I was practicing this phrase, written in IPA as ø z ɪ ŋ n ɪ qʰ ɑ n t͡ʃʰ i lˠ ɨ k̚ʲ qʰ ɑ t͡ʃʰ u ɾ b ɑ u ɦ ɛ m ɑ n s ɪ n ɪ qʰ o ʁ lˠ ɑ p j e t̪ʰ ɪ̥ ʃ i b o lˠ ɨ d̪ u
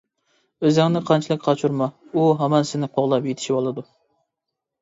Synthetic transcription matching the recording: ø z ɪ ŋ n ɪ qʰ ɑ n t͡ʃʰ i lˠ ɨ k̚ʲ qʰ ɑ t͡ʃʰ u ɾ m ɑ u ɦ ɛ m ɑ n s ɪ n ɪ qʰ o ʁ lˠ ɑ p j e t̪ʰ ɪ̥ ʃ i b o lˠ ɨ d̪ u